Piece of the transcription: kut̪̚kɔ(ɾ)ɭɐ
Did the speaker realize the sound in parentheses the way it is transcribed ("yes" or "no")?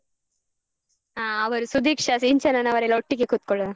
no